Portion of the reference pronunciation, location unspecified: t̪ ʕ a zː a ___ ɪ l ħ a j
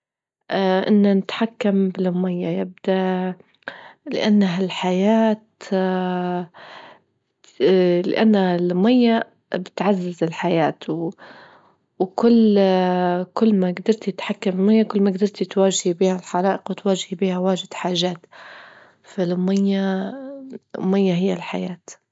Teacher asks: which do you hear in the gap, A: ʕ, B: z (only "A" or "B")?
B